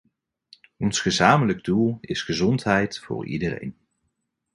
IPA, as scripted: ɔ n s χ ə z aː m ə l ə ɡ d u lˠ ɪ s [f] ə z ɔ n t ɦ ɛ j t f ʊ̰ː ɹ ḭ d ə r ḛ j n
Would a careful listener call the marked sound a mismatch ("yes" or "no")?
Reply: yes